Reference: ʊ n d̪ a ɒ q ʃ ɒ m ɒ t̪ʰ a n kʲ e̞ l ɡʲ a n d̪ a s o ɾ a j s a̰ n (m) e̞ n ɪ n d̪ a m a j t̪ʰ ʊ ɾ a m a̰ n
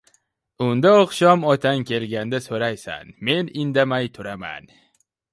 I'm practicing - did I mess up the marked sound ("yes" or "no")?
no